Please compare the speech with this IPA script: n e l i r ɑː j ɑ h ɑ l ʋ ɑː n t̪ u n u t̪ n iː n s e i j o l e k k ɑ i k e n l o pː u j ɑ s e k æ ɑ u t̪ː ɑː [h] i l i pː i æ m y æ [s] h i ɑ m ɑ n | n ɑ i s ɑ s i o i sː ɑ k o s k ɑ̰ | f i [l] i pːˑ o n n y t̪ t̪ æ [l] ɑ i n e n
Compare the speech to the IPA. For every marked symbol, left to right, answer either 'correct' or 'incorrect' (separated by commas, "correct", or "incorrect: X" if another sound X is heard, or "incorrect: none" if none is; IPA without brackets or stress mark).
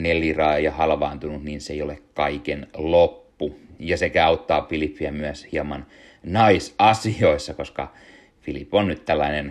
incorrect: f, correct, correct, incorrect: lː